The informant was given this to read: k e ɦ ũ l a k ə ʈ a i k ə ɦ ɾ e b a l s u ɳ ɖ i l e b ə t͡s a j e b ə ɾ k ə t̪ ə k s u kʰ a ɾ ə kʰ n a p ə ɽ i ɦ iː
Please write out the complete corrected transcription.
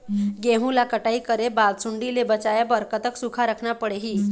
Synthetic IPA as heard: ɡ e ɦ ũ l a k ə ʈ a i k ə ɾ e b a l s u ɳ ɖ i l e b ə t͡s a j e b ə ɾ k ə t̪ ə k s u kʰ a ɾ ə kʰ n a p ə ɽ e ɦ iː